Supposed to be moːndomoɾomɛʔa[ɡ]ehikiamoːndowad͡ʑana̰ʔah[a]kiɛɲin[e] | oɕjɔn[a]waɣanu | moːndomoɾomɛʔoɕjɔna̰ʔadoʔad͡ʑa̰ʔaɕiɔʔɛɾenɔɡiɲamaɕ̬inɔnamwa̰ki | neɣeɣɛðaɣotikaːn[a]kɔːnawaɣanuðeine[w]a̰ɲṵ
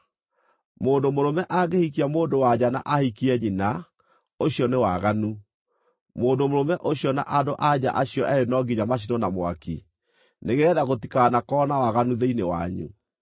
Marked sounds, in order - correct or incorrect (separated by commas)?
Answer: correct, incorrect, incorrect, incorrect, correct, correct